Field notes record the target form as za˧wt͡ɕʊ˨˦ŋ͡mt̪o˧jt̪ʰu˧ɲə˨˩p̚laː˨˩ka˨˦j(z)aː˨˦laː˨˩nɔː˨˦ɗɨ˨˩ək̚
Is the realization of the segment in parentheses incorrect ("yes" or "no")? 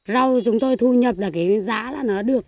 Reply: no